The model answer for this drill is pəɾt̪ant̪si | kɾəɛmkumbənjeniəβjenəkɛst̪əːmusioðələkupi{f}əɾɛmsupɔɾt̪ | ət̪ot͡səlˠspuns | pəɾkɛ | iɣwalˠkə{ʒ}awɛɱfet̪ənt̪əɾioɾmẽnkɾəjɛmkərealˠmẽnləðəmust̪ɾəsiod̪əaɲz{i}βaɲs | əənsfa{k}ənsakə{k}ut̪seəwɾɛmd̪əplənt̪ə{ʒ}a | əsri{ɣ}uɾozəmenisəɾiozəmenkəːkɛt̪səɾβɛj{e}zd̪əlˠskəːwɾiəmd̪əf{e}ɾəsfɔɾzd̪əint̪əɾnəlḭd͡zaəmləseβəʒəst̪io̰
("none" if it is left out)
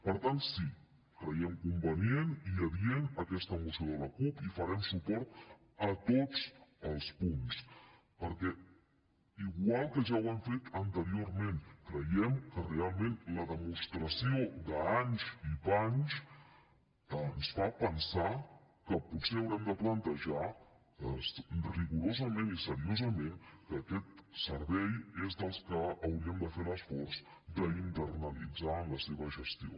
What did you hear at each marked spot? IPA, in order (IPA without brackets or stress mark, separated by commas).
f, ʒ, i, p, p, ʒ, ɣ, e, e